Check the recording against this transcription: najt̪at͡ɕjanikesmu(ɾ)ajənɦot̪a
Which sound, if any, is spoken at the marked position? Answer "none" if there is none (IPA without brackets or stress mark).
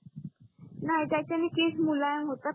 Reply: l